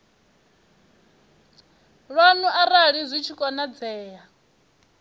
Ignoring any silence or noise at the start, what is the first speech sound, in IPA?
ɺ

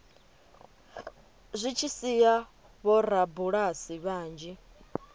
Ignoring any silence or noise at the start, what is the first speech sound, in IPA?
zʷ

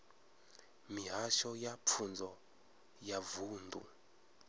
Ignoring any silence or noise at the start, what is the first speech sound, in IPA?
m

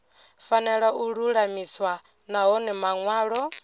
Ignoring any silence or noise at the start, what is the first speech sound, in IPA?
f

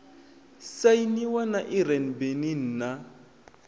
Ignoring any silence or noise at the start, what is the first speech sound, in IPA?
s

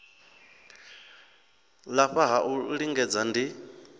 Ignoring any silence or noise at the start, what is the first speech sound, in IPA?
l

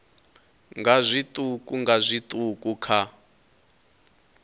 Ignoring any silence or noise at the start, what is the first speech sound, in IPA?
ŋ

